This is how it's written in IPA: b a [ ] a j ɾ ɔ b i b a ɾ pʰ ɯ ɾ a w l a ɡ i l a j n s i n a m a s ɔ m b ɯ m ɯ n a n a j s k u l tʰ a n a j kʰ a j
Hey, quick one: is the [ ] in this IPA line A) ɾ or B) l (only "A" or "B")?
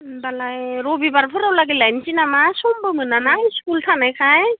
B